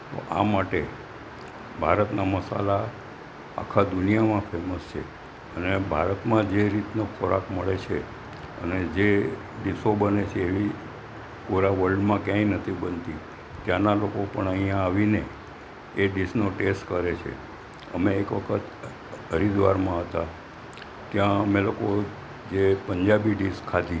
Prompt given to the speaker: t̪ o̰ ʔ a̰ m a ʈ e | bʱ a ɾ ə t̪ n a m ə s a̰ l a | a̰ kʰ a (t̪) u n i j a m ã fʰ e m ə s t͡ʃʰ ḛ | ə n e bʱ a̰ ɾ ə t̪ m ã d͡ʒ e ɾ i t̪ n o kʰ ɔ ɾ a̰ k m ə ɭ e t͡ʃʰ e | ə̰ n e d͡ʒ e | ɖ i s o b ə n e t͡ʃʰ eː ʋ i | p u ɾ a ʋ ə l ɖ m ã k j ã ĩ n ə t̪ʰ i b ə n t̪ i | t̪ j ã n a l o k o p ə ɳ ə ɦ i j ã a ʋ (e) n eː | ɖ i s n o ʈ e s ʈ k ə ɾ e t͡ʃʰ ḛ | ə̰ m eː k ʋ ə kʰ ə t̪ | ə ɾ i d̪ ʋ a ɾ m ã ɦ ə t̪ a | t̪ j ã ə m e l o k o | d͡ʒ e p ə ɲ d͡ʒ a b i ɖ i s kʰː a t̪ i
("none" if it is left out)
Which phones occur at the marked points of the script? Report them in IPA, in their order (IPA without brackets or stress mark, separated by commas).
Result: d̪, i